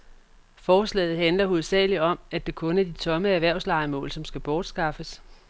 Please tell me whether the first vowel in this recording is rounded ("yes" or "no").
yes